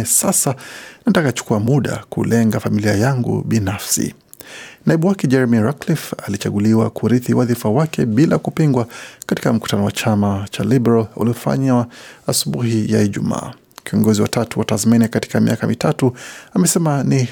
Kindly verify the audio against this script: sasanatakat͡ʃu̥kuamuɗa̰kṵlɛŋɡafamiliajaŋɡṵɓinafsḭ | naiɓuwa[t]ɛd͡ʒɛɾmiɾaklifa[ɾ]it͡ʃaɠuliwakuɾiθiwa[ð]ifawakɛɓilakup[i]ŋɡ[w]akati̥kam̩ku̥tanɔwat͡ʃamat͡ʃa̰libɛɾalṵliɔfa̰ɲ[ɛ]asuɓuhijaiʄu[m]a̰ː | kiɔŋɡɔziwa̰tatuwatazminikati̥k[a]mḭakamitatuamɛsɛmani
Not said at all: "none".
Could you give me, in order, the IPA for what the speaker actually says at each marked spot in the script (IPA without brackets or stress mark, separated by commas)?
k, l, ð, i, w, a, m, a